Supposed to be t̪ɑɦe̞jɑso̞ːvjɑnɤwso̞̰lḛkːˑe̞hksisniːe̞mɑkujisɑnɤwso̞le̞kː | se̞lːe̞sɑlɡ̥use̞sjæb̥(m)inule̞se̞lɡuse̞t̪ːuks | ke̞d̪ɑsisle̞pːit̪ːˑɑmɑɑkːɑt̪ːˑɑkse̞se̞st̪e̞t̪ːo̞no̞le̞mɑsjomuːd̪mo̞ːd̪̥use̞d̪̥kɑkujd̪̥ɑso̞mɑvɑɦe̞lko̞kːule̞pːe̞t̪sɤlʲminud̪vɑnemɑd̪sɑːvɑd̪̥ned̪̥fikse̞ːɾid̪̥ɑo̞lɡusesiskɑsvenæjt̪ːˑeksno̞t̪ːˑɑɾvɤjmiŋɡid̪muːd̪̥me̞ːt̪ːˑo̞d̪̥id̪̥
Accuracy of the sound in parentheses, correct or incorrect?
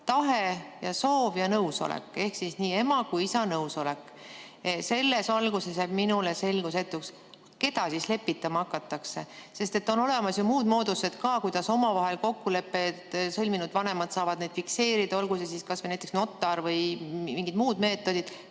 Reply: correct